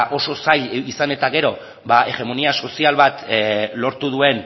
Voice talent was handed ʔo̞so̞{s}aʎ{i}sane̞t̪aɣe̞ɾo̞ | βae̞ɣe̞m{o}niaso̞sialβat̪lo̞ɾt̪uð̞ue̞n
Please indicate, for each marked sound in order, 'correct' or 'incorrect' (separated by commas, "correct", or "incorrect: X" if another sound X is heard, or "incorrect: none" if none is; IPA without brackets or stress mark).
correct, correct, correct